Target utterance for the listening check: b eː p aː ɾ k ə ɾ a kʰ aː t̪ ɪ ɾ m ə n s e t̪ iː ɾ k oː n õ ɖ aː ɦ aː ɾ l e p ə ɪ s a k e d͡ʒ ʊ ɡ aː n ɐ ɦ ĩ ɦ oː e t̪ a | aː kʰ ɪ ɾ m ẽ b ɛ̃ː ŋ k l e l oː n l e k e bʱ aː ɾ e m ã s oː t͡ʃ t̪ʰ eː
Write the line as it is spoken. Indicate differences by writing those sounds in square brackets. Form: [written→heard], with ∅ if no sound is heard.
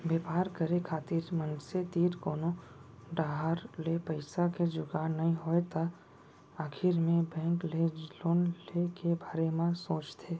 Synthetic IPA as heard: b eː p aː ɾ k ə ɾ [a→e] kʰ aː t̪ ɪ ɾ m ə n s e t̪ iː ɾ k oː n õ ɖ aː ɦ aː ɾ l e p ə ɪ s a k e d͡ʒ ʊ ɡ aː n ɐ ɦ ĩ ɦ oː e t̪ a | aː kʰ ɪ ɾ m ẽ b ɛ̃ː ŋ k l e l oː n l e k e bʱ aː ɾ e m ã s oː t͡ʃ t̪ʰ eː